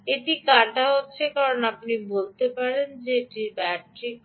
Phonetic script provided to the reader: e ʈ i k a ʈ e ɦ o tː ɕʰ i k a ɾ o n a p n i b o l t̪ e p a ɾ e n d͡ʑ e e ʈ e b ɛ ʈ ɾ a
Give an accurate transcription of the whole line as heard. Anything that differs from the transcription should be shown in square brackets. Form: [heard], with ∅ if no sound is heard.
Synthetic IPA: e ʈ i k a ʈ [a] ɦ o tː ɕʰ [e] k a ɾ o n a p n i b o l t̪ e p a ɾ e n d͡ʑ e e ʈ [i] b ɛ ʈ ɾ [i]